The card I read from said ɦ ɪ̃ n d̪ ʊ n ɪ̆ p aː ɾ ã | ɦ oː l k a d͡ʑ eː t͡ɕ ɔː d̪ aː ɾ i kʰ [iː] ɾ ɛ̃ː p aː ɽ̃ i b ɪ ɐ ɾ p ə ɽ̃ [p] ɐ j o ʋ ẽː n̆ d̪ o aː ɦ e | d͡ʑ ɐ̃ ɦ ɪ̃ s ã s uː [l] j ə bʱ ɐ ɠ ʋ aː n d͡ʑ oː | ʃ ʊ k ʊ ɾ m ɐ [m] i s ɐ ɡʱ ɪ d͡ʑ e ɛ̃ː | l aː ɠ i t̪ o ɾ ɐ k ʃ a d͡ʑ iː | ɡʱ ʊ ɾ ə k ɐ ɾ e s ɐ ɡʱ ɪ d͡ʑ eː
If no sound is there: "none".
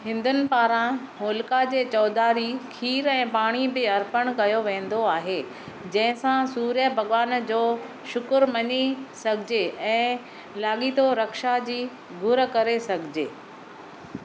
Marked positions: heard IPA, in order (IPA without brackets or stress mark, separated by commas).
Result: iː, k, ɾ, ɲ